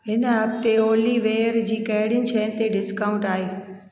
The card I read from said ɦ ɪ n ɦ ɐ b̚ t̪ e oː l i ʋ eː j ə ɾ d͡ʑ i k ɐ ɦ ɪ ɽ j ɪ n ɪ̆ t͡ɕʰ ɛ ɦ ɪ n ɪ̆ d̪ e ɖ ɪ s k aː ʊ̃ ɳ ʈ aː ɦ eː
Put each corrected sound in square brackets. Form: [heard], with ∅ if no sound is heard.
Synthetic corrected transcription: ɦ ɪ n ɦ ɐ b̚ t̪ e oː l i ʋ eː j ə ɾ d͡ʑ [iː] k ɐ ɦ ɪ ɽ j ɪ n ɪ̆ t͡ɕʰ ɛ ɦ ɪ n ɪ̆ [t̪] e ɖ ɪ s k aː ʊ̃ ɳ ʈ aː ɦ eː